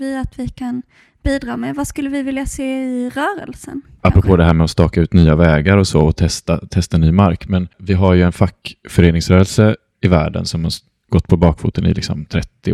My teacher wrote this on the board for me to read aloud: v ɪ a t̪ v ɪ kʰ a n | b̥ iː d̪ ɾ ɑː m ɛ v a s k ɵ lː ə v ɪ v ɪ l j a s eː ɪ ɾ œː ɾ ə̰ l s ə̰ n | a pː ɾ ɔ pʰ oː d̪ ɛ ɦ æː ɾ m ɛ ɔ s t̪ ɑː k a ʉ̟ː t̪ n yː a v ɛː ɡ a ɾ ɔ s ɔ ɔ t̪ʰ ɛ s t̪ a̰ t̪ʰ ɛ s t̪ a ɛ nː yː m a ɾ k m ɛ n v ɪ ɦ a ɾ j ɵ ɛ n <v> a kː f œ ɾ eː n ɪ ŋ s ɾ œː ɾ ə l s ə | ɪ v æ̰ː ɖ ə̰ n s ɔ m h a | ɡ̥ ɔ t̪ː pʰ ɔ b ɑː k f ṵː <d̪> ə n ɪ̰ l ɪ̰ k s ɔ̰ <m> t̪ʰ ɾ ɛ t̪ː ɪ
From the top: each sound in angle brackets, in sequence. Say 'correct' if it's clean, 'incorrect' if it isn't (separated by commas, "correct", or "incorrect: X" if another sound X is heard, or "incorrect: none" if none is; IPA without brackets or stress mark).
incorrect: f, incorrect: t̪, correct